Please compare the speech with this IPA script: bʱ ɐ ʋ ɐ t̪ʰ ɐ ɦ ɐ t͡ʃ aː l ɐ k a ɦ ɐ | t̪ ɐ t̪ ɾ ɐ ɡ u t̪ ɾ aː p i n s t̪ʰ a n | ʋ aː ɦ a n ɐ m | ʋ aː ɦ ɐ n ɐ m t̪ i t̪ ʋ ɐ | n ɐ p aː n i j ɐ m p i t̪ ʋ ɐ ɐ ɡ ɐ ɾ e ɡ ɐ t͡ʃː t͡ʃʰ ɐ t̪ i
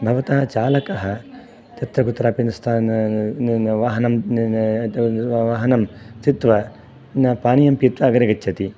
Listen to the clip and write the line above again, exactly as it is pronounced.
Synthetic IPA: bʱ ɐ ʋ ɐ t̪ ɐ ɦ ɐ t͡ʃ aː l ɐ k ɐ ɦ ɐ | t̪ ɐ t̪ ɾ ɐ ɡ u t̪ ɾ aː p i n s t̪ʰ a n | ʋ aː ɦ ɐ n ɐ m | ʋ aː ɦ ɐ n ɐ m t̪ i t̪ ʋ ɐ | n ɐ p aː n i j ɐ m p i t̪ ʋ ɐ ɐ ɡ ɐ ɾ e ɡ ɐ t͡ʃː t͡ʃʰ ɐ t̪ i

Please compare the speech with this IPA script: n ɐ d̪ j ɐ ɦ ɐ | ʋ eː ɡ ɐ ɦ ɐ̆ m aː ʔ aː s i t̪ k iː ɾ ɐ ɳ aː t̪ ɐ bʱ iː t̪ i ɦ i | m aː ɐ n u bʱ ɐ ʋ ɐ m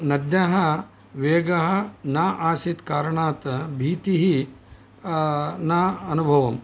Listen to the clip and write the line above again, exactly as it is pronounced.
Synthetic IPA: n ɐ d̪ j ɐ ɦ ɐ | ʋ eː ɡ ɐ ɦ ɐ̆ n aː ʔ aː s i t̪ k aː ɾ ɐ ɳ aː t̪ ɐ bʱ iː t̪ i ɦ i | n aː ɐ n u bʱ ɐ ʋ ɐ m

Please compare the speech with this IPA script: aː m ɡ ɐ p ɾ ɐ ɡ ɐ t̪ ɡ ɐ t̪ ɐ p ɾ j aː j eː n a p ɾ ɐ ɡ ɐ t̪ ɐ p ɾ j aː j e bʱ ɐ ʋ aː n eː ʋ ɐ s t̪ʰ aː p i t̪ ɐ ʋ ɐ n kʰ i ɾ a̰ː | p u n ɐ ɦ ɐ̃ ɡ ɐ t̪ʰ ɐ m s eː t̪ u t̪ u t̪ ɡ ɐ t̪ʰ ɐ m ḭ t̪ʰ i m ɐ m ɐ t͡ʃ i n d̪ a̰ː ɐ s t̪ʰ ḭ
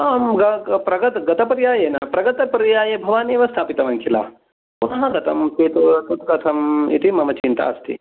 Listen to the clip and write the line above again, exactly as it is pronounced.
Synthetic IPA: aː m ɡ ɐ p ɾ ɐ ɡ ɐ t̪ ɡ ɐ t̪ ɐ p ɾ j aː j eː n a p ɾ ɐ ɡ ɐ t̪ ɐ p ɾ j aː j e bʱ ɐ ʋ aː n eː ʋ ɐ s t̪ʰ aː p i t̪ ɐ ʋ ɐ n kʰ i l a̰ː | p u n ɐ ɦ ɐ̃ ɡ ɐ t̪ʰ ɐ m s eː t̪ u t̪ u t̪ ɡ ɐ t̪ʰ ɐ m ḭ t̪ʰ i m ɐ m ɐ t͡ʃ i n t̪ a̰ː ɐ s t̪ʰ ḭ

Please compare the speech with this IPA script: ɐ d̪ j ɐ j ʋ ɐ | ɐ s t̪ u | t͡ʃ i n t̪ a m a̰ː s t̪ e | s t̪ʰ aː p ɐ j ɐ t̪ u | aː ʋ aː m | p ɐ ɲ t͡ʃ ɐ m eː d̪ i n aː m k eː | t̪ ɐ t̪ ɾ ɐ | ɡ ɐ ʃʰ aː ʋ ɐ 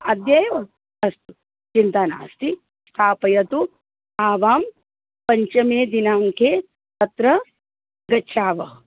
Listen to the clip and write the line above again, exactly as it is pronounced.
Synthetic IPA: ɐ d̪ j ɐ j ʋ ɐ | ɐ s t̪ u | t͡ʃ i n t̪ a n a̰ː s t̪ i | s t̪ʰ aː p ɐ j ɐ t̪ u | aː ʋ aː m | p ɐ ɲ t͡ʃ ɐ m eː d̪ i n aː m k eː | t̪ ɐ t̪ ɾ ɐ | ɡ ɐ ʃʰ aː ʋ ɐ

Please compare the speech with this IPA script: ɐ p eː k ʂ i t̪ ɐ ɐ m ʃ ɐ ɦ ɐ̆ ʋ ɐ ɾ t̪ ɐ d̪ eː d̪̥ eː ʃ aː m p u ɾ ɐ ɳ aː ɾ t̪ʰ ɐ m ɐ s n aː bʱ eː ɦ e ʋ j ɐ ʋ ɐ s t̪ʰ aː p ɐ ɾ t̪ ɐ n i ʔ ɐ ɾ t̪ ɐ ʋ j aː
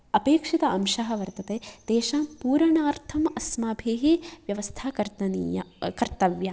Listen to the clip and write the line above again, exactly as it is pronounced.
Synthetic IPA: ɐ p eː k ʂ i t̪ ɐ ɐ m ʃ ɐ ɦ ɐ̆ ʋ ɐ ɾ t̪ ɐ t̪ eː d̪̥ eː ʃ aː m p uː ɾ ɐ ɳ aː ɾ t̪ʰ ɐ m ɐ s m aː bʱ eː ɦ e ʋ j ɐ ʋ ɐ s t̪ʰ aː k ɐ ɾ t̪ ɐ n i k ɐ ɾ t̪ ɐ ʋ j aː

